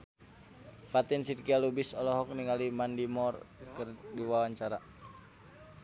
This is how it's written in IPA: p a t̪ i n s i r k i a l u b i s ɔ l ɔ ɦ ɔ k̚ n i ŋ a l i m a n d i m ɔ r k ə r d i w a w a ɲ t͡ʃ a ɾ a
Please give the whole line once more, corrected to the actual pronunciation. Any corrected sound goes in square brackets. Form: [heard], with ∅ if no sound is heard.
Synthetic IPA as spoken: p a t̪ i n s i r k i a l u b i s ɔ l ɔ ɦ ɔ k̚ n i ŋ a l i m a n d i m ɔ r k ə r d i w a w a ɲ t͡ʃ a ɾ a